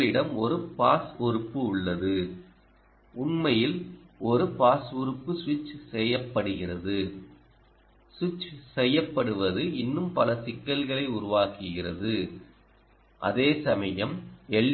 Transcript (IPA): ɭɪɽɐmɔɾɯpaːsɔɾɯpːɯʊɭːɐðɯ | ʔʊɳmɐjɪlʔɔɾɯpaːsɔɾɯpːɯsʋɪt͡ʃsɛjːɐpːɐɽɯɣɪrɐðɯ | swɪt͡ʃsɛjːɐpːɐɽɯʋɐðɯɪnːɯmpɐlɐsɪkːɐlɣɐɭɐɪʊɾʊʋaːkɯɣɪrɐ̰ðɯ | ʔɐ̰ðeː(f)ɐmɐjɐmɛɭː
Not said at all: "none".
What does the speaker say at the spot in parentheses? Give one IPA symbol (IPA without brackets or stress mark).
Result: s